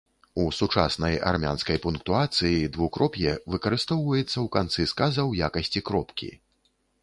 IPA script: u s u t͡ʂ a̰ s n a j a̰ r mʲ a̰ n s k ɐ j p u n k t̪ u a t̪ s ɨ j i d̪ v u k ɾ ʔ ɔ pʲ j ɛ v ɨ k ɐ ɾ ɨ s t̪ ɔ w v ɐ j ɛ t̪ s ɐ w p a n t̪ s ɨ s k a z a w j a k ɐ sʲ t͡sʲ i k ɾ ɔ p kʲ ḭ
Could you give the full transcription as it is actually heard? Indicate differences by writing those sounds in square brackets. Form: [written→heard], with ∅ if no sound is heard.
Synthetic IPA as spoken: u s u t͡ʂ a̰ s n [a→ɐ] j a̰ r mʲ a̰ n s k ɐ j p u n k t̪ u a t̪ s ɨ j i d̪ v u k ɾ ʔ ɔ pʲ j ɛ v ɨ k ɐ ɾ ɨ s t̪ ɔ w v ɐ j ɛ t̪ [s→sː] ɐ w [p→k] a n t̪ s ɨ s k a z [a→ɐ] w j a k ɐ sʲ t͡sʲ i k ɾ ɔ p kʲ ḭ